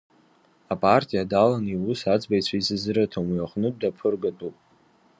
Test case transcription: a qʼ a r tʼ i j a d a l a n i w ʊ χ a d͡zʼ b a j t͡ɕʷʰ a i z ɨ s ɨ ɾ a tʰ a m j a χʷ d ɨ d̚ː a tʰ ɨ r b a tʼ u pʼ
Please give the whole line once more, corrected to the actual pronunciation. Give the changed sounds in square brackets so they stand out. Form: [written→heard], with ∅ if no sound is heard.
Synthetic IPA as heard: a [qʼ→pʼ] a r tʼ i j a d a l a n i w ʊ [χ→s] a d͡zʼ b a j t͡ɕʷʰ a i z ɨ [s→z] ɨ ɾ a tʰ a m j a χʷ [d→n] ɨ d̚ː a [tʰ→pʰ] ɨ r [b→ɡ] a tʼ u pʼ